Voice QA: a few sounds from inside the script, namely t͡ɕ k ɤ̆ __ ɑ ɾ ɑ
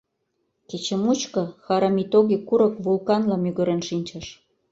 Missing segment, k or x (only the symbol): x